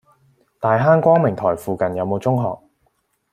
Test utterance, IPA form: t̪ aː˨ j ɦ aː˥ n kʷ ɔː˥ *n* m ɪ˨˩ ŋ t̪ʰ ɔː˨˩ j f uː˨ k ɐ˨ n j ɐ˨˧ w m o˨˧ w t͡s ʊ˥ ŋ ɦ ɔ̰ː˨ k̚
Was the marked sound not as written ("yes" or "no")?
yes